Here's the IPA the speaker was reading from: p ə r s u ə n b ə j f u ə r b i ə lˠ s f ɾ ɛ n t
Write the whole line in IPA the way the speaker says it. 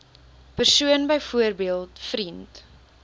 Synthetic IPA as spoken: p ə r s u ə n b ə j f u ə r b i ə lˠ t f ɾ i n t